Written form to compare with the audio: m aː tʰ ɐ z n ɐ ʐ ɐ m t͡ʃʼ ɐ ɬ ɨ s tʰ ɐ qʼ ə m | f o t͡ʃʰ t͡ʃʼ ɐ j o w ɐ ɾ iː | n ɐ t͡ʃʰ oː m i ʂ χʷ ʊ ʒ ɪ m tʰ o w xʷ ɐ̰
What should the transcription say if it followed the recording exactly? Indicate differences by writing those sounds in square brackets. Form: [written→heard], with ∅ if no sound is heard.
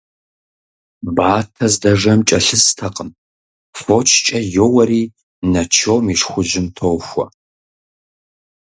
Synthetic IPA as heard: [m→b] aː tʰ ɐ z [n→d] ɐ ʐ ɐ m t͡ʃʼ ɐ ɬ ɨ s tʰ ɐ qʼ ə m | f o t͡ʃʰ t͡ʃʼ ɐ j o w ɐ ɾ iː | n ɐ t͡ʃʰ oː m i ʂ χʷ ʊ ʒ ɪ m tʰ o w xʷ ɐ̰